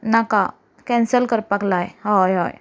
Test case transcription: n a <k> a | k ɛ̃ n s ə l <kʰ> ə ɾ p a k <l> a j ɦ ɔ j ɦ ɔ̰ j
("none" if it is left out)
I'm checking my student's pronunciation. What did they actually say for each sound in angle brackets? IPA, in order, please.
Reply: k, k, l

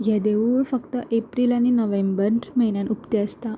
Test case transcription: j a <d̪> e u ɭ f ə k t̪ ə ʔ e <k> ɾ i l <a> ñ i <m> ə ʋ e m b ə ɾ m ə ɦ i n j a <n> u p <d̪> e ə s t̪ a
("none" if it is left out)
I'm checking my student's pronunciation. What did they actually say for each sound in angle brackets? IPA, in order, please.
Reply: d̪, p, a, n, n, t̪

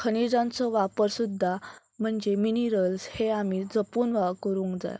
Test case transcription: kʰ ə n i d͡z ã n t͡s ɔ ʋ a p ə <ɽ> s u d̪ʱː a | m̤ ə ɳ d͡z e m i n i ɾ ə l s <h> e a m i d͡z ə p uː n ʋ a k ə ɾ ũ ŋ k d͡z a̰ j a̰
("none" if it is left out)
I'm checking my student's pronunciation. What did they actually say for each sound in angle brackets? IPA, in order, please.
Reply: ɾ, h

